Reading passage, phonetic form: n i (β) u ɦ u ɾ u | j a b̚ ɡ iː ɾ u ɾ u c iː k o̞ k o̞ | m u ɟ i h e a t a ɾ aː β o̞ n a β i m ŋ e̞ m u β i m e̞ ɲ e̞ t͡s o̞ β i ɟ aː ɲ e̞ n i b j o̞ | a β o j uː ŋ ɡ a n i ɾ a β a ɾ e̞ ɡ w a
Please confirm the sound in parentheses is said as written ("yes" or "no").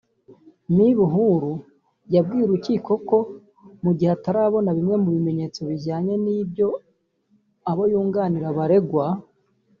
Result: yes